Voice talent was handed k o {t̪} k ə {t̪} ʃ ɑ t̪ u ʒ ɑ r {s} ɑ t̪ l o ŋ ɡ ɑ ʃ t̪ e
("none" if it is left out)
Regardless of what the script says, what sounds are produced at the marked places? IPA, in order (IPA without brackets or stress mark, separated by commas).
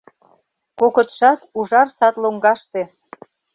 none, t̪, s